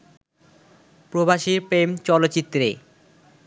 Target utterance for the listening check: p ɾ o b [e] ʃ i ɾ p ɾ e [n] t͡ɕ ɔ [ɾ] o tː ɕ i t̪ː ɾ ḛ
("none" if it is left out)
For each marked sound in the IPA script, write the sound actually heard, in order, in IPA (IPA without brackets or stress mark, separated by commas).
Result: a, m, l